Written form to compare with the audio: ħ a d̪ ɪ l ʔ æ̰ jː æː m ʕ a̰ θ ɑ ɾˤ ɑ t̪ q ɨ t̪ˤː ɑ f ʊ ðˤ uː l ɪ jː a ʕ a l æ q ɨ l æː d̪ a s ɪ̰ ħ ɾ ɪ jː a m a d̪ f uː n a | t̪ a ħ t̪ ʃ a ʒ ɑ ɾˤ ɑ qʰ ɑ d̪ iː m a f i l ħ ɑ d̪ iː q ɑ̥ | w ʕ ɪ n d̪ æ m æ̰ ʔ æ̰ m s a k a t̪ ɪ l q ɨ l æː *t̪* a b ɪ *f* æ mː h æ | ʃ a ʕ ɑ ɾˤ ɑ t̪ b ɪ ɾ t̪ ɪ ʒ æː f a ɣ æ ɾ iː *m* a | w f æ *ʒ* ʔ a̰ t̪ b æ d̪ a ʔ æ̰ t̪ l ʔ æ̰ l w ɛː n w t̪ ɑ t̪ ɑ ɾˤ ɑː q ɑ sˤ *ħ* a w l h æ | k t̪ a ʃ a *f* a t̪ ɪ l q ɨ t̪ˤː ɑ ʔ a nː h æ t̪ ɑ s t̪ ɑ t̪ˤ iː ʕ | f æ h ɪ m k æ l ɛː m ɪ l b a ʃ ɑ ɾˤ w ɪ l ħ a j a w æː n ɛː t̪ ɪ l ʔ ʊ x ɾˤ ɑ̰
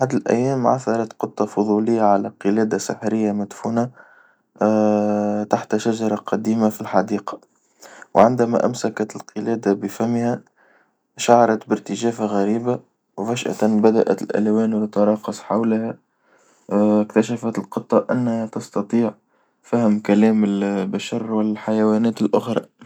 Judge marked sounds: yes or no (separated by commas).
no, yes, no, no, yes, yes